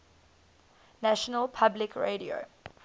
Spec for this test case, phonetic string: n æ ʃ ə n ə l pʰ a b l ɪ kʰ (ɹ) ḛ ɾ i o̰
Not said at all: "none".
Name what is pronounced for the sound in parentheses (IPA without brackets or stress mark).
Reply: ɹ